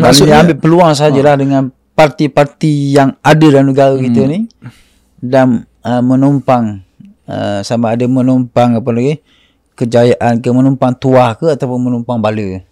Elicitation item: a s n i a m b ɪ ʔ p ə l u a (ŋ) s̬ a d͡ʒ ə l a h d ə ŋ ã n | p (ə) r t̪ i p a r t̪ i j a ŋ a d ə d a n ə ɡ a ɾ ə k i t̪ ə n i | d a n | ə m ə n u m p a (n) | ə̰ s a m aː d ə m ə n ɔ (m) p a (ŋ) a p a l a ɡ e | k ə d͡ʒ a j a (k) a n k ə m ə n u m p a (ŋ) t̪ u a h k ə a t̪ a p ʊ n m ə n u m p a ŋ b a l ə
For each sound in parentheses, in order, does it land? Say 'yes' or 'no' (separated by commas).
yes, no, no, yes, yes, no, yes